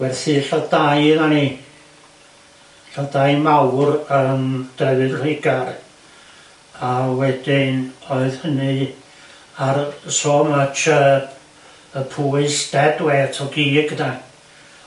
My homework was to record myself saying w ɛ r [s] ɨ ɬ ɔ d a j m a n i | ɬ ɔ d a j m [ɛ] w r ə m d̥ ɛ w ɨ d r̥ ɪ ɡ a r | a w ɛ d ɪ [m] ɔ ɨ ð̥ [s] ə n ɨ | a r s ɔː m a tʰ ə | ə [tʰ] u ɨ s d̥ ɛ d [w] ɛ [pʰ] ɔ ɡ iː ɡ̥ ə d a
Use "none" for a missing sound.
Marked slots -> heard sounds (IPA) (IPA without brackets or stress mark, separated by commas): θ, a, n, h, pʰ, w, tʰ